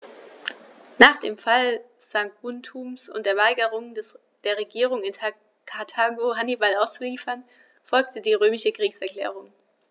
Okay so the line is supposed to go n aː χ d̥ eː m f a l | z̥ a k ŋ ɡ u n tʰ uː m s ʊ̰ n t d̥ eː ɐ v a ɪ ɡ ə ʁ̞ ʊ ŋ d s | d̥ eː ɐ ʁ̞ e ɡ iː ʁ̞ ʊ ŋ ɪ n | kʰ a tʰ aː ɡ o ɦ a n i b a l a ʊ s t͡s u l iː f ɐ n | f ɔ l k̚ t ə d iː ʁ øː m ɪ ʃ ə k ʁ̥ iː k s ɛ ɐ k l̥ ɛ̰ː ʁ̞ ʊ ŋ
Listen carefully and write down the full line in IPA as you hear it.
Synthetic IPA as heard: n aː χ d̥ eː m f a l | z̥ a ŋ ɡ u n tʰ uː m s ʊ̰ n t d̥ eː ɐ v a ɪ ɡ ə ʁ̞ ʊ ŋ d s | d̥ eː ɐ ʁ̞ e ɡ iː ʁ̞ ʊ ŋ ɪ n | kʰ a tʰ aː ɡ o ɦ a n i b a l a ʊ s t͡s u l iː f ɐ n | f ɔ l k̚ t ə d iː ʁ øː m ɪ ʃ ə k ʁ̥ iː k s ɛ ɐ k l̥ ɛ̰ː ʁ̞ ʊ ŋ